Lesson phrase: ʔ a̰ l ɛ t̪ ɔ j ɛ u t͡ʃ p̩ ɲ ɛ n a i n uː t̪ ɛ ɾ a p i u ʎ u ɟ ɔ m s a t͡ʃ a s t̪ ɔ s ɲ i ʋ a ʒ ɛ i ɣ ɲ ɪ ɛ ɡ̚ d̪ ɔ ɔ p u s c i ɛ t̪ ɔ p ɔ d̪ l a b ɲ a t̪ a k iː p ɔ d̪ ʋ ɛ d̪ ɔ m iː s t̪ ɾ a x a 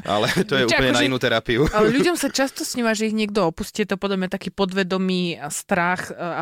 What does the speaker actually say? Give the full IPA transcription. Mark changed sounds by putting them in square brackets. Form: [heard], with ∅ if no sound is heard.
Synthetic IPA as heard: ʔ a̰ l ɛ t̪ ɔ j ɛ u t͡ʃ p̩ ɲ ɛ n a i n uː t̪ ɛ ɾ a p i u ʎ u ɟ ɔ m s a t͡ʃ a s t̪ ɔ s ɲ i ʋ a ʒ ɛ i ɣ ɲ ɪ ɛ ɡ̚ d̪ ɔ ɔ p u s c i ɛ t̪ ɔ p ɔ d̪ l a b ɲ a t̪ a k iː p ɔ d̪ ʋ ɛ d̪ ɔ m iː s t̪ ɾ a x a